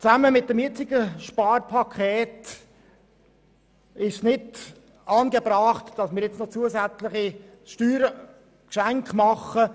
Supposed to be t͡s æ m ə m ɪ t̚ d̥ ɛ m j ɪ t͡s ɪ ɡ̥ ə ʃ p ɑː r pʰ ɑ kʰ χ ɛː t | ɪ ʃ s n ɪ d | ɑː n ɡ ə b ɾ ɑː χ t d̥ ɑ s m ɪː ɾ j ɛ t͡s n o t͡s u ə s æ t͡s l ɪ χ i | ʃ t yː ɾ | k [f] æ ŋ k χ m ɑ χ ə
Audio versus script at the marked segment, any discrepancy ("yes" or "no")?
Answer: yes